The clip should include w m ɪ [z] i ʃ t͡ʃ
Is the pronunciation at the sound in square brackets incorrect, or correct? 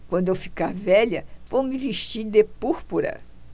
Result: incorrect